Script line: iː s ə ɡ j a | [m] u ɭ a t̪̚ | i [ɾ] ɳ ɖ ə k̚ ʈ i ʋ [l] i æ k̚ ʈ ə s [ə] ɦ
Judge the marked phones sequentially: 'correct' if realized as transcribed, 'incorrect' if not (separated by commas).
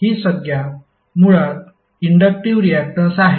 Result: correct, incorrect, incorrect, incorrect